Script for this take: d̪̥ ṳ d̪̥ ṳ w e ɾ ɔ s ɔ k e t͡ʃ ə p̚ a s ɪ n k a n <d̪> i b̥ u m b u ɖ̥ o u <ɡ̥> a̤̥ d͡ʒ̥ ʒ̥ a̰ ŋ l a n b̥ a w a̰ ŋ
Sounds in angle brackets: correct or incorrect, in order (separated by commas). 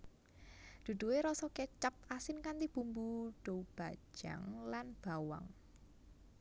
incorrect, incorrect